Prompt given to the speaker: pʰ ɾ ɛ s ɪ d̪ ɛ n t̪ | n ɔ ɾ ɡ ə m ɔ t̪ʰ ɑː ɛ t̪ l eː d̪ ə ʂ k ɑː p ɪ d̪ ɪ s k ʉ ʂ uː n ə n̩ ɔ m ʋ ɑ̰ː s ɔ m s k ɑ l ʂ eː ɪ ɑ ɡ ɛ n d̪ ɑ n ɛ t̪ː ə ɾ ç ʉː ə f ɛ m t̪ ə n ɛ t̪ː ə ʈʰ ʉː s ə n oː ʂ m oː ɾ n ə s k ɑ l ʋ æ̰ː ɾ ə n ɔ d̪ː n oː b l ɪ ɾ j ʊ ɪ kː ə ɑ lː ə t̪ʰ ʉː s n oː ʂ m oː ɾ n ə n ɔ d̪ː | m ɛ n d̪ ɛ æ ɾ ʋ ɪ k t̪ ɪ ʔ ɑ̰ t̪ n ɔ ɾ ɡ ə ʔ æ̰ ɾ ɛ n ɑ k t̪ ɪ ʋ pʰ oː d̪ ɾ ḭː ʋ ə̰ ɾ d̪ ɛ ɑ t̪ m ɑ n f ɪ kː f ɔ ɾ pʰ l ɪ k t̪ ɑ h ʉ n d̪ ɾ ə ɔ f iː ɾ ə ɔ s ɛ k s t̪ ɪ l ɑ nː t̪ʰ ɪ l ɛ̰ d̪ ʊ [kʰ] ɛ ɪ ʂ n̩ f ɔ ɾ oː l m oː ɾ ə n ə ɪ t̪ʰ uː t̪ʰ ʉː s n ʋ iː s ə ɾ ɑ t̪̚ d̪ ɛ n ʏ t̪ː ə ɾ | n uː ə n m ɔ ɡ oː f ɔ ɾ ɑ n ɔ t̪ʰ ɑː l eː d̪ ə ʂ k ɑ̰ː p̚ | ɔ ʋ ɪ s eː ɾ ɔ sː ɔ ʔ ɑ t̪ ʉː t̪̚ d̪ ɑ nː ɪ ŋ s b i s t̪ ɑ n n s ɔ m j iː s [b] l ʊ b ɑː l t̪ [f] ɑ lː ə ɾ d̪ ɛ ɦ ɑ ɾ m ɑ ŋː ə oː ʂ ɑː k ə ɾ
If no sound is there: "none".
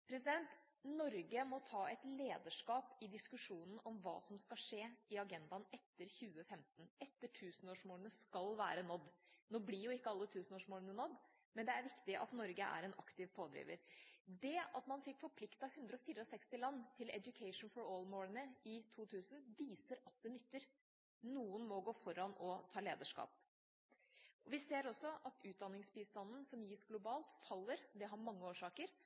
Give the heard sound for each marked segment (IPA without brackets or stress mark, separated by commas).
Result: kʰ, ɡ, f